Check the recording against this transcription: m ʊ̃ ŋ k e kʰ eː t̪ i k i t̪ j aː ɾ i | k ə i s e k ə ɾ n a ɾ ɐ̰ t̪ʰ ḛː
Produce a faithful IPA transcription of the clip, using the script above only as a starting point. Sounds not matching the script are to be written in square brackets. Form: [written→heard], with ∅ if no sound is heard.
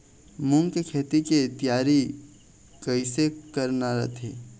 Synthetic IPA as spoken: m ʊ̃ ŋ k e kʰ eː t̪ i k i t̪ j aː ɾ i | k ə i s e k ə ɾ n a ɾ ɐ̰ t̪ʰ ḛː